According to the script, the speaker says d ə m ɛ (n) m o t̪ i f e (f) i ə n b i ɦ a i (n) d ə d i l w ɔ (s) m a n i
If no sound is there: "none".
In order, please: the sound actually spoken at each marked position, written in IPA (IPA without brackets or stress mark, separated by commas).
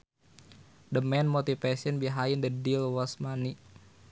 n, s, n, s